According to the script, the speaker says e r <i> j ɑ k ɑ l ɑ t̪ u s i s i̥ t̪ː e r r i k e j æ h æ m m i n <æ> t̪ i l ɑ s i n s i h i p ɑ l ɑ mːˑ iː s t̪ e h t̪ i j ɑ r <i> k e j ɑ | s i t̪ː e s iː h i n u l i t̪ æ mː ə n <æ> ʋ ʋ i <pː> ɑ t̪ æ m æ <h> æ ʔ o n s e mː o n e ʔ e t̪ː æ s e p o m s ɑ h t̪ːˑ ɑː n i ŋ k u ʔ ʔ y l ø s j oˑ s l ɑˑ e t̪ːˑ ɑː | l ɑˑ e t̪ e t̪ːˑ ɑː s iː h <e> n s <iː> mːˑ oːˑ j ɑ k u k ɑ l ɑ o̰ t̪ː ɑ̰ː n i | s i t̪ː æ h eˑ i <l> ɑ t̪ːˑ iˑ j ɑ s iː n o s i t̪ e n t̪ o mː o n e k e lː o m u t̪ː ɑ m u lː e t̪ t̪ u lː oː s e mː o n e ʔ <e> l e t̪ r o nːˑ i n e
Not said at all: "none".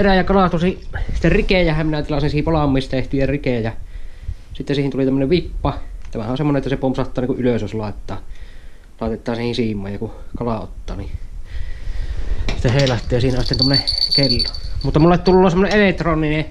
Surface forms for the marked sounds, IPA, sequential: æ, æ, i, e, pː, h, i, iː, l, e

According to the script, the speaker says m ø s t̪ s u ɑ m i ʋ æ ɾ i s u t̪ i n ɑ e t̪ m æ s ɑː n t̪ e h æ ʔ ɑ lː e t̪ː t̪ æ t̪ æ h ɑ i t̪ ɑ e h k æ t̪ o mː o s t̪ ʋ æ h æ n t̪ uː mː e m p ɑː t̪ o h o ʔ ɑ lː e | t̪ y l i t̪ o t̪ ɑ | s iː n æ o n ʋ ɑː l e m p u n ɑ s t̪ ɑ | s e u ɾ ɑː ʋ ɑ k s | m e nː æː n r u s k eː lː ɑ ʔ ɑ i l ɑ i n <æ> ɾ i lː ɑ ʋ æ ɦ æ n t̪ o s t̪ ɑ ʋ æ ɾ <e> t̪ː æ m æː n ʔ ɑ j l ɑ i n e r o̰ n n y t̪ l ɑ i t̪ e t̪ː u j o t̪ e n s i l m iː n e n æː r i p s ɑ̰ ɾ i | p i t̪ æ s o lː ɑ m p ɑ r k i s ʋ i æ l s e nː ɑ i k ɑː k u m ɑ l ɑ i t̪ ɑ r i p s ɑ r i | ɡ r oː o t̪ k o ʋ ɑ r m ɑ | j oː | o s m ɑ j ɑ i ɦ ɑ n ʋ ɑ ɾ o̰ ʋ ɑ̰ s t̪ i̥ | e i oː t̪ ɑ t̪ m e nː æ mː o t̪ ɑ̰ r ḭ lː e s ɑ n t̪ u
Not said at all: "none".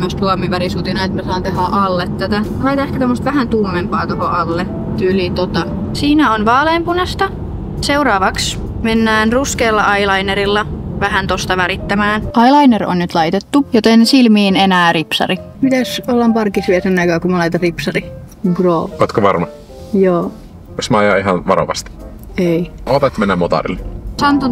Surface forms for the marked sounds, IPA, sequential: e, i

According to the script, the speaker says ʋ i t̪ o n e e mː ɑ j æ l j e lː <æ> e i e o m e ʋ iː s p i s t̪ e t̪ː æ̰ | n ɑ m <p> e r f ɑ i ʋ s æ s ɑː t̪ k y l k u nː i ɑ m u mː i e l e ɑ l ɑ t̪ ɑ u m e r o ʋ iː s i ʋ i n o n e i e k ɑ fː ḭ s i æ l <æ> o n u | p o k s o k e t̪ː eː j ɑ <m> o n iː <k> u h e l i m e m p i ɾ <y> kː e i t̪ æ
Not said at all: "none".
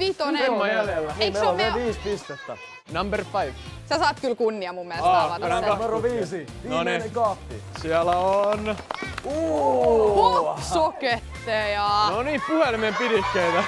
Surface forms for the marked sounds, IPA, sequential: æ, b, æ, n, p, i

